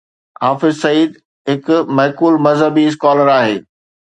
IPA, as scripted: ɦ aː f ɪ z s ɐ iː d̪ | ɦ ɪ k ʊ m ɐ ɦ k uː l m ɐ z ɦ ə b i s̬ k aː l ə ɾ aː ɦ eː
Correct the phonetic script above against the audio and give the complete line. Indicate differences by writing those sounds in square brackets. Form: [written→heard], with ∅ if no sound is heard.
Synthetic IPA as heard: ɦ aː f ɪ z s ɐ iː d̪ | ɦ ɪ k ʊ m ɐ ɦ k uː l m ɐ z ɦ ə b i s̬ k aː l ə ɾ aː ɦ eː